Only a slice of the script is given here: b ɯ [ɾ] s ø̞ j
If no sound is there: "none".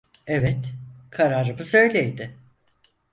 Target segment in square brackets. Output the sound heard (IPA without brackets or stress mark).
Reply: none